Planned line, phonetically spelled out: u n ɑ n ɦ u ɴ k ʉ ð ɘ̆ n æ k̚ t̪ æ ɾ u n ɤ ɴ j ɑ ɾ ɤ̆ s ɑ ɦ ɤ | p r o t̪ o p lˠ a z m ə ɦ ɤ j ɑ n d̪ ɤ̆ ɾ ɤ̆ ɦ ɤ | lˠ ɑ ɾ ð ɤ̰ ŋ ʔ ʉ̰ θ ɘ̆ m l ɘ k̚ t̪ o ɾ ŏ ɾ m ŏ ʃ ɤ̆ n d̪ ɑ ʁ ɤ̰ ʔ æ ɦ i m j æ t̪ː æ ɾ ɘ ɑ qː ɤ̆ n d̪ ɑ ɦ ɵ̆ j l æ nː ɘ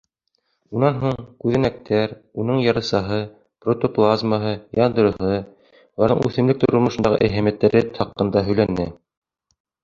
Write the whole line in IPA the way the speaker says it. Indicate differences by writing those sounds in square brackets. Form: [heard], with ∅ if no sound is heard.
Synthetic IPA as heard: u n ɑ n ɦ u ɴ k ʉ ð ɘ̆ n æ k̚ t̪ æ ɾ u n ɤ ɴ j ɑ ɾ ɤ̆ s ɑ ɦ ɤ | p r o t̪ o p lˠ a z m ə ɦ ɤ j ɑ n d̪ ɤ̆ ɾ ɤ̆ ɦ ɤ | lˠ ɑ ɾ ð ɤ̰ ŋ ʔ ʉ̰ θ ɘ̆ m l ɘ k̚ t̪ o ɾ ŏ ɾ m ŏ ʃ ɤ̆ n d̪ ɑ ʁ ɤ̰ ʔ æ ɦ [æ] m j æ t̪ː æ ɾ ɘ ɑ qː ɤ̆ n d̪ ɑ ɦ ɵ̆ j l æ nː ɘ